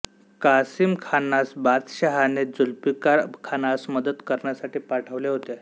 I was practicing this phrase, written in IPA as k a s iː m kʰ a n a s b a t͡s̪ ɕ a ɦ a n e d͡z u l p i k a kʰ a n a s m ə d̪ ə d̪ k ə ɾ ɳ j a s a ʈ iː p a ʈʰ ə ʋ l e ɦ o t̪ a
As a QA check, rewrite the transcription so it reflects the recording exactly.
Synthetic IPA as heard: k a s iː m kʰ a n a s b a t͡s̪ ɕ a ɦ a n e d͡z u l p i k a kʰ a n a s m ə d̪ ə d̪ k ə ɾ ɳ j a s a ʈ iː p a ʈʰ ə ʋ l e ɦ o t̪ e